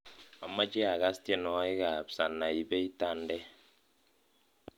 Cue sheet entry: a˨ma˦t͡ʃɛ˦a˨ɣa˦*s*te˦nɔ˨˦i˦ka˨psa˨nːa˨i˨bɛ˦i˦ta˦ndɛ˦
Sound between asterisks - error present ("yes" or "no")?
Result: no